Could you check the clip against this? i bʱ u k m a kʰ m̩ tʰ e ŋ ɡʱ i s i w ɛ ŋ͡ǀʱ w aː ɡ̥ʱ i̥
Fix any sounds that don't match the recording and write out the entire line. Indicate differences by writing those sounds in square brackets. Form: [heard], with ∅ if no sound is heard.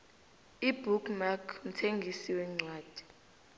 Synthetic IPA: i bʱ u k m a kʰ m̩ tʰ e ŋ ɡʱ i s i w ɛ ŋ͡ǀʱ w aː [d̥ʱ] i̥